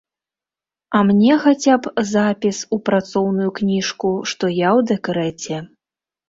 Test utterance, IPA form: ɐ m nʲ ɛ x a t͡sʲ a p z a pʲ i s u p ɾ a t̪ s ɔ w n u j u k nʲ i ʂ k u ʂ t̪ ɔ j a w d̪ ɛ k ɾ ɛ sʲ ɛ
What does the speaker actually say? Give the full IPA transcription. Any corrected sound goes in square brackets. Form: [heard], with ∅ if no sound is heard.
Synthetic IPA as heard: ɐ m nʲ ɛ x a t͡sʲ a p z a pʲ i s u p ɾ a t̪ s ɔ w n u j u k nʲ i ʂ k u ʂ t̪ ɔ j a w d̪ ɛ k ɾ ɛ [t͡sʲ] ɛ